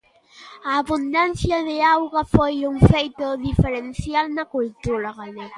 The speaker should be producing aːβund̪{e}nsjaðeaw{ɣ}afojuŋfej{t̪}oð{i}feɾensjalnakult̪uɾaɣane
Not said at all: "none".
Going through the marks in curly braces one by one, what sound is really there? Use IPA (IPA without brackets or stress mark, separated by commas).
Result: a, ɣ, t̪, i